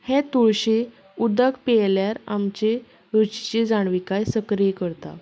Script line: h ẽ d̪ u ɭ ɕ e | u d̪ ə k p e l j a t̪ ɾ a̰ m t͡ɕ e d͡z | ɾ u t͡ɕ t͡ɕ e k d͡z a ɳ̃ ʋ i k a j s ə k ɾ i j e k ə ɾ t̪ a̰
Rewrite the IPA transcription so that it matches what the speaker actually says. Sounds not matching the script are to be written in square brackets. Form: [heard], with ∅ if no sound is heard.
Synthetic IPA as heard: h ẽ [t̪] u ɭ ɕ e | u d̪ ə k p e l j a [∅] ɾ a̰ m t͡ɕ e [∅] | ɾ u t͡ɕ t͡ɕ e [∅] d͡z a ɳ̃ ʋ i k a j s ə k ɾ i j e k ə ɾ t̪ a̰